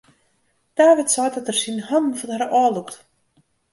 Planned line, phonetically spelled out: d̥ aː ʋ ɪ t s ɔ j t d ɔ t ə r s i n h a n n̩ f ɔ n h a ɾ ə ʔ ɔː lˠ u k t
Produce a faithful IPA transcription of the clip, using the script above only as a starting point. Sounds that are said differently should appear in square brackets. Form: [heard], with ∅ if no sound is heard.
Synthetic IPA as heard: d̥ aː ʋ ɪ t s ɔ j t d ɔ t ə r s i n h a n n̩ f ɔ n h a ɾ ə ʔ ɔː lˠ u k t

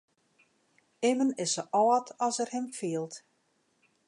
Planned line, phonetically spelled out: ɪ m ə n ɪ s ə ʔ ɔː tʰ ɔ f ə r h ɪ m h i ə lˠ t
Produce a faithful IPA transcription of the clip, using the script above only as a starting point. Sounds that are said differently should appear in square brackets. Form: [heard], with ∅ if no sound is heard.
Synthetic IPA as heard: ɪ m ə n ɪ s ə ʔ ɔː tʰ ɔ [s] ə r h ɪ m [f] i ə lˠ t

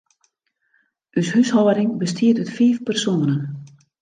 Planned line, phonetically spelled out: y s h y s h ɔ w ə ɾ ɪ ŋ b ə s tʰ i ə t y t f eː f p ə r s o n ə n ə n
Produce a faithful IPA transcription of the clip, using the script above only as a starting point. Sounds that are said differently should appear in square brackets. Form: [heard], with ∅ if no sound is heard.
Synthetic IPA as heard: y s h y s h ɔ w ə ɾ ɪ ŋ b ə s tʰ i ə t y t f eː f p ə r s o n ə n ə n

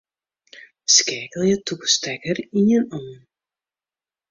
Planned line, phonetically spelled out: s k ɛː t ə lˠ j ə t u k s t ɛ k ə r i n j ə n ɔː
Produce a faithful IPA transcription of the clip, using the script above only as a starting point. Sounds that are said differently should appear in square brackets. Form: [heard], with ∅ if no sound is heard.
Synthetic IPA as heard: s k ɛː [k] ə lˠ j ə t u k s t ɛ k ə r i n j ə n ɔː

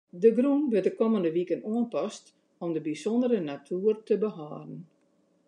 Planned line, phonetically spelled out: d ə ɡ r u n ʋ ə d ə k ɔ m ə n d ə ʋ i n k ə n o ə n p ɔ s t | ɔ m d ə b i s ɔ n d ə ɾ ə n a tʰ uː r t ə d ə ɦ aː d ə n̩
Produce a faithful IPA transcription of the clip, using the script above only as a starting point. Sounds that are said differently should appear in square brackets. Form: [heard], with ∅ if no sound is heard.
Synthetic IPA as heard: d ə ɡ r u n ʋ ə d ə k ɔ m ə n d ə ʋ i [∅] k ə n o ə n p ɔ s t | ɔ m d ə b i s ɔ n d ə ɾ ə n a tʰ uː r t ə [b] ə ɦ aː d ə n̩

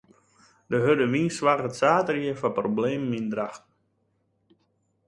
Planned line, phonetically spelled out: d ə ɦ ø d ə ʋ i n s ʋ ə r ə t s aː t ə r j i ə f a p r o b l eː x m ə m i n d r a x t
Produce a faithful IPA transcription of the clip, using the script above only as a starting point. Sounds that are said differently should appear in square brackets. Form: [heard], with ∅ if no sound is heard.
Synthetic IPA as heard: d ə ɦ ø d ə ʋ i n s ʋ [a] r ə t s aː t ə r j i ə f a p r o b l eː [∅] m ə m i n d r a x t

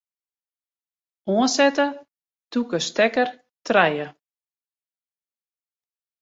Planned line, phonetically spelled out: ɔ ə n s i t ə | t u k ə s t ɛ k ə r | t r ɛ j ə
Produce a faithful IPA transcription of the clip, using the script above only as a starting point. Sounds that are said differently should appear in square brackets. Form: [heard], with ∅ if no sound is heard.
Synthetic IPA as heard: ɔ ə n s [ɛ] t ə | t u k ə s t ɛ k ə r | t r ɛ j ə

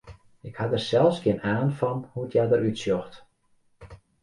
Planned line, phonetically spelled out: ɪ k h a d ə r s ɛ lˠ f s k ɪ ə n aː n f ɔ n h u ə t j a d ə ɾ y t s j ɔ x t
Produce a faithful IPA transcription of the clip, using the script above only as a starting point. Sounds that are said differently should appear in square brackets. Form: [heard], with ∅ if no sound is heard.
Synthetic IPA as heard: ɪ k h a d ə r s ɛ lˠ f s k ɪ ə n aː n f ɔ n h u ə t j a d ə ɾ y t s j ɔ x t

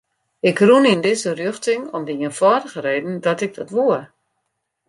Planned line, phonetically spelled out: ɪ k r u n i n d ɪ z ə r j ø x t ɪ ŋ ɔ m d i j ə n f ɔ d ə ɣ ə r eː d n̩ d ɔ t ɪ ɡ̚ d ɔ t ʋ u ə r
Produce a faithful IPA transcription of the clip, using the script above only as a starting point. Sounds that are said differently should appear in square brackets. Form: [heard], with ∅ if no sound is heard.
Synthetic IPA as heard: ɪ k r u n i n d ɪ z ə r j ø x t ɪ ŋ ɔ m d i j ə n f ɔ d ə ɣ ə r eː d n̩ d ɔ t ɪ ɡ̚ d ɔ t ʋ u ə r

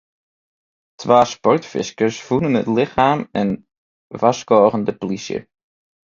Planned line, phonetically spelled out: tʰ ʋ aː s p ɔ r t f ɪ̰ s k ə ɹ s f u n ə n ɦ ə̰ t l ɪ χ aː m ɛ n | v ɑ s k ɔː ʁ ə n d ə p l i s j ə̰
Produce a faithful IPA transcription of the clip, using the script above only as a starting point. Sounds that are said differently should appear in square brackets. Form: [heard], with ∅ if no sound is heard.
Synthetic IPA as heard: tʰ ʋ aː s p ɔ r t f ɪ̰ s k ə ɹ s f u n ə n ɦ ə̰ t l ɪ χ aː m ɛ n | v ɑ s k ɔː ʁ ə n d ə p l i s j ə̰

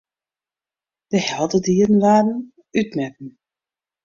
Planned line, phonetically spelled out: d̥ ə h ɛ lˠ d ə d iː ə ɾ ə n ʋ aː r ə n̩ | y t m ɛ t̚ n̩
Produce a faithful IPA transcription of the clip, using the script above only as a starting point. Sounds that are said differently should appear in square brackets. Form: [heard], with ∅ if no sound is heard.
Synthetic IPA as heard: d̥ ə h ɛ lˠ d ə d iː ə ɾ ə n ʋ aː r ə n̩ | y t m ɛ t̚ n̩

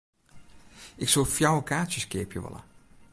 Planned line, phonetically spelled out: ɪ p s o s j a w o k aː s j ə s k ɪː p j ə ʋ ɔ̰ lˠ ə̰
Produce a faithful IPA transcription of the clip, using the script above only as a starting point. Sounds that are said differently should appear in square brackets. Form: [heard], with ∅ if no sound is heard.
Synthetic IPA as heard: ɪ [k] s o [f] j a w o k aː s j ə s k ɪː p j ə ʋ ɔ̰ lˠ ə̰

